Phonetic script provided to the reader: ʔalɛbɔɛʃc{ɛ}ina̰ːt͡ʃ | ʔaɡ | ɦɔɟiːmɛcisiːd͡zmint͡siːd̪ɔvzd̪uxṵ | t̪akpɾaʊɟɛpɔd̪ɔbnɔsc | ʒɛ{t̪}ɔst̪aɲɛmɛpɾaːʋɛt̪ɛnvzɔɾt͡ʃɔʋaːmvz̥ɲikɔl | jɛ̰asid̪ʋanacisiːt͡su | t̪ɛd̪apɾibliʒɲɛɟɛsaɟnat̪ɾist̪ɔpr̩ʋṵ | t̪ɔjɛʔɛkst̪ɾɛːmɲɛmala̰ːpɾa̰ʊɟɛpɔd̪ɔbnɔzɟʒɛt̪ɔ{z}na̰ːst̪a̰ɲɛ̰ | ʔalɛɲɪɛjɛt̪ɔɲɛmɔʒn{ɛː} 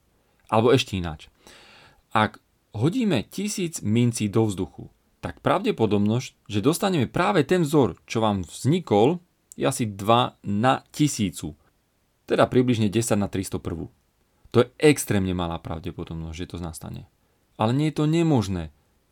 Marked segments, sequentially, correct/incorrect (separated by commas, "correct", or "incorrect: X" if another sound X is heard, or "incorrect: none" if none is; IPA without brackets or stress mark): correct, incorrect: d̪, correct, correct